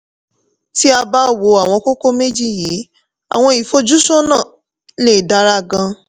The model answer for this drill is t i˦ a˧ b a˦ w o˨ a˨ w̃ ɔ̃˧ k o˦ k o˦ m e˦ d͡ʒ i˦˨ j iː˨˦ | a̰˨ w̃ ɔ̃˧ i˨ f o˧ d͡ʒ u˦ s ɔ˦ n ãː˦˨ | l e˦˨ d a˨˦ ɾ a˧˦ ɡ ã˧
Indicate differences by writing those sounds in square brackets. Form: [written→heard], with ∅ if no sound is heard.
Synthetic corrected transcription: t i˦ a˧ b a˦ w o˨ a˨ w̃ ɔ̃˧ k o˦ k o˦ m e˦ d͡ʒ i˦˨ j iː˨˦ | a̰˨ w̃ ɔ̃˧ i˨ f o˧ d͡ʒ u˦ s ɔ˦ n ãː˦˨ | l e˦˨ d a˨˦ ɾ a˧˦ ɡ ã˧